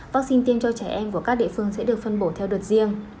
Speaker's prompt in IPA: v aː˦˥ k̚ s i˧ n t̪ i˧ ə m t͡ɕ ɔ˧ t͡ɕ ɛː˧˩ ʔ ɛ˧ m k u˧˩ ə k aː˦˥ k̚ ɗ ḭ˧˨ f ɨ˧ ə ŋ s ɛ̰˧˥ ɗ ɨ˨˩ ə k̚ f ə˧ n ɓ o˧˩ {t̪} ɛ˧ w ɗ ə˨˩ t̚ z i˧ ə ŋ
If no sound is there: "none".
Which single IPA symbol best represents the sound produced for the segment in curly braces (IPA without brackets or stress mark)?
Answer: t̪ʰ